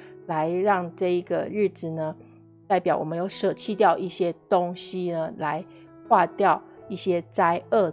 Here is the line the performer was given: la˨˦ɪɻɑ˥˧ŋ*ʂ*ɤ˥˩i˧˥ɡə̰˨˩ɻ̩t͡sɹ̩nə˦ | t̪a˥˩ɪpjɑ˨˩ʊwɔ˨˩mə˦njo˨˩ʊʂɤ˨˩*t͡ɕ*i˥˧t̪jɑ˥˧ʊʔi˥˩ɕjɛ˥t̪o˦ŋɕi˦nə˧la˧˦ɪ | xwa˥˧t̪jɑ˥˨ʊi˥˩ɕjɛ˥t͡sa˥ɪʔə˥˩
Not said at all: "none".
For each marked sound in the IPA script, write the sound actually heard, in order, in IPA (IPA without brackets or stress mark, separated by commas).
ʈ͡ʂ, t͡ɕʰ